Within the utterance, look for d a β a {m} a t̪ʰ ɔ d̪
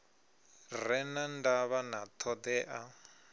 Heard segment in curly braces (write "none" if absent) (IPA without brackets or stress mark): n